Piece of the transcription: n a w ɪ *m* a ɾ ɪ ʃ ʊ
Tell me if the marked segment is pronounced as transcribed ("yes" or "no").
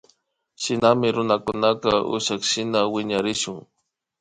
no